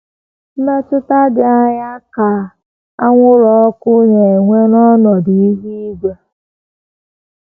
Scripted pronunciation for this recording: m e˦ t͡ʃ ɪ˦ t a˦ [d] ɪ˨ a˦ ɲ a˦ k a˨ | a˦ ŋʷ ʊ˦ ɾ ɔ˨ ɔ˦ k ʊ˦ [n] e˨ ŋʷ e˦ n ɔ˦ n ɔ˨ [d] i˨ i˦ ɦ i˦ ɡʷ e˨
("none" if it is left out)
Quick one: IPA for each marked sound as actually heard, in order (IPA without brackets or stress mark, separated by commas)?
d, ɲ, d